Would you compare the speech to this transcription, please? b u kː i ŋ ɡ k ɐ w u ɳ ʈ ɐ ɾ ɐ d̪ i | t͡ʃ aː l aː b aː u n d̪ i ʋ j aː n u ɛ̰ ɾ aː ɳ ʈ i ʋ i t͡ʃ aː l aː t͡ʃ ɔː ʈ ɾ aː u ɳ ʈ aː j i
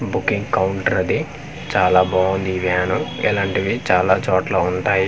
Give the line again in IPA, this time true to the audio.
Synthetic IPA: b u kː i ŋ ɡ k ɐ w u ɳ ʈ ɐ ɾ ɐ d̪ i | t͡ʃ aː l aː b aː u n d̪ i ʋ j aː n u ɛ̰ l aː ɳ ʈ i ʋ i t͡ʃ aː l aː t͡ʃ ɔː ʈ l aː u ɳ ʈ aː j i